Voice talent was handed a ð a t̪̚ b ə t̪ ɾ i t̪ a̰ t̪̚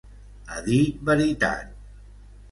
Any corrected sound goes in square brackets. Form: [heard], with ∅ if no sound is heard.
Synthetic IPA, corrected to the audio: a ð [i] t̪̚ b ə [∅] ɾ i t̪ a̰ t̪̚